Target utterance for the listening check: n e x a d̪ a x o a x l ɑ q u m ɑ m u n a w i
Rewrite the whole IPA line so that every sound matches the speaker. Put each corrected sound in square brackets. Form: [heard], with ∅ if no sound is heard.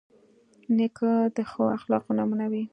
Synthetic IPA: n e [k] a d̪ [ə] x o a x l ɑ q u [n] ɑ m u n a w i